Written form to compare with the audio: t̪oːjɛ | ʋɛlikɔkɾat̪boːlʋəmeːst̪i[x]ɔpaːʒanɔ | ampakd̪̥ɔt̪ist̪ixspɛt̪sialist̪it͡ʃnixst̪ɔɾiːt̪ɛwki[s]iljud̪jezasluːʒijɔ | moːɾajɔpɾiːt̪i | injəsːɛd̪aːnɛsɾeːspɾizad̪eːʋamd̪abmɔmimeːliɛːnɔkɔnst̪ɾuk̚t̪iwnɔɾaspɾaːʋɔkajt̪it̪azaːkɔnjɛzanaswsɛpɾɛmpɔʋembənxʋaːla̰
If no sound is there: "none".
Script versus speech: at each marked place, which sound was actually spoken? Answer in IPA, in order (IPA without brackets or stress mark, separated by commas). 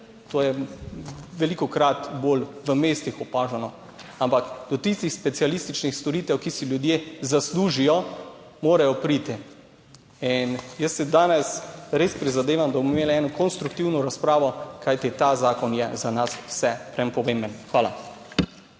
x, s